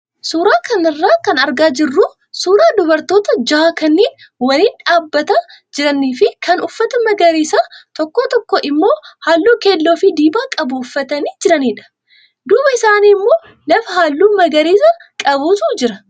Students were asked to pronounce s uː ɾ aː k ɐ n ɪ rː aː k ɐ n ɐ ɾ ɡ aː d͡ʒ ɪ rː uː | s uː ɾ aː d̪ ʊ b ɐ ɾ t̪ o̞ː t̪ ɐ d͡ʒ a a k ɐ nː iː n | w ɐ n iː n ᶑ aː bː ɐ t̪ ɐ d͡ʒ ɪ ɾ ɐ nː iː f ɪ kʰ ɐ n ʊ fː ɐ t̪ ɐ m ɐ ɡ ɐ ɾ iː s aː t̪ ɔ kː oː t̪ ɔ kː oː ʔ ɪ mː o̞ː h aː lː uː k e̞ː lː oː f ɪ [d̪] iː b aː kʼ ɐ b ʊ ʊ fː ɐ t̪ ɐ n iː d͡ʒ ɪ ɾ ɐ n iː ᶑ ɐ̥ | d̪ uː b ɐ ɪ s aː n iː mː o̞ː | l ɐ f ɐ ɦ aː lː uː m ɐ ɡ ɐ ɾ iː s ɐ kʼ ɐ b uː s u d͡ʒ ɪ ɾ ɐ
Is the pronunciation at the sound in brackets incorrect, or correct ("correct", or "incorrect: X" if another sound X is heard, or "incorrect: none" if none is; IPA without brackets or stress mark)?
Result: correct